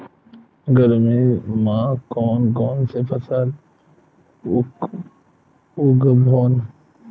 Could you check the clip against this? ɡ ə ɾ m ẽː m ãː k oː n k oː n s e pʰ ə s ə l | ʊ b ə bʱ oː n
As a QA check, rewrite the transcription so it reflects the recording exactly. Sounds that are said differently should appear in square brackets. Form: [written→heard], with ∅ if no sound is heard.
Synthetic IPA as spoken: ɡ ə ɾ m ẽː m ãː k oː n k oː n s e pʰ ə s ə l | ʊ [b→ɡ] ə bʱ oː n